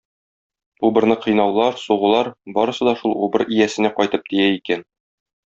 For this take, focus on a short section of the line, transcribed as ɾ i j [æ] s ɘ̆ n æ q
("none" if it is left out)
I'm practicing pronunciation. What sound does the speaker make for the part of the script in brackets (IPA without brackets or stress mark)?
æ